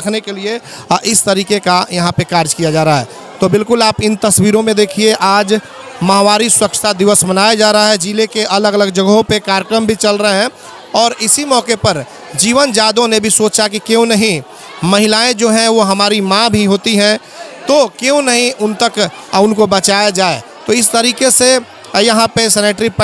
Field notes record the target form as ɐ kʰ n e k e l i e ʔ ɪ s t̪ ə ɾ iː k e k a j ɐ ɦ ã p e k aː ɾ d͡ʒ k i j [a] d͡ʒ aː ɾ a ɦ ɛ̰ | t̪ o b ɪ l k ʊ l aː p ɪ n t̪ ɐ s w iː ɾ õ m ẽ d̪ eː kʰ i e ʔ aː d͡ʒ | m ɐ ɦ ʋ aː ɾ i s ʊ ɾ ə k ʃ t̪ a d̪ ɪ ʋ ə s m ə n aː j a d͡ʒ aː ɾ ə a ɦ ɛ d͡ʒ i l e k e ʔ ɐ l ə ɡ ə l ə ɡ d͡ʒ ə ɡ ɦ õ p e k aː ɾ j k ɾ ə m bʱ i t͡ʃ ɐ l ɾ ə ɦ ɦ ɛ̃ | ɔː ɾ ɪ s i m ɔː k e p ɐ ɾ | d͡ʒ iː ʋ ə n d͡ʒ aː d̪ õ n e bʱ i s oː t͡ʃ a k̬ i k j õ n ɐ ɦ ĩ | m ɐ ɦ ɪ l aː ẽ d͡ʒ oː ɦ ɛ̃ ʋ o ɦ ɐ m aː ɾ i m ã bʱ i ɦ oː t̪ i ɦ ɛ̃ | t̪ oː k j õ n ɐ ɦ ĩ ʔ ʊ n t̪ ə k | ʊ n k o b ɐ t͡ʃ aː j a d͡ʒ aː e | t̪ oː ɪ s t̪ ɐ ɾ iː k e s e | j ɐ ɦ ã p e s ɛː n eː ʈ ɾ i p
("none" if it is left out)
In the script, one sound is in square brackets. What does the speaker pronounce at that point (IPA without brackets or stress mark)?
a